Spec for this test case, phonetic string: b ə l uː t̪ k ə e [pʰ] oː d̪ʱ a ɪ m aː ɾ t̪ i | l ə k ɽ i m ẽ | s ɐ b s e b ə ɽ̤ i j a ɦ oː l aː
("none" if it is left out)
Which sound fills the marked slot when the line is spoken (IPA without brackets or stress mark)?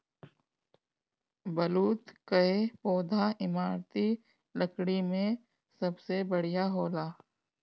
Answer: p